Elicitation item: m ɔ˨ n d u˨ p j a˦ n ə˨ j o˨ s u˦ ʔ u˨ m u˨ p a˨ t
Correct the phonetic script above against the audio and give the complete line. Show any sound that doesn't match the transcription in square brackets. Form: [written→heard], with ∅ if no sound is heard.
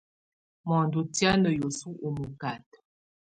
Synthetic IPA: m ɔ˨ n d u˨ [p→t] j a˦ n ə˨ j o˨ s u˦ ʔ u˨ m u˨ [p→k] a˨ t